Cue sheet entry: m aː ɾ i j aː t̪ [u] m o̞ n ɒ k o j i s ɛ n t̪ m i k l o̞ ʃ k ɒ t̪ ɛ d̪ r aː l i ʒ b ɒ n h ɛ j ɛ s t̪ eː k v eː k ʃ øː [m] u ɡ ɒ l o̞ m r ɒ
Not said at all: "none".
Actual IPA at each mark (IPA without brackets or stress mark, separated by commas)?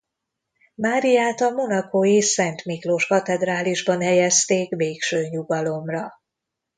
ɒ, ɲ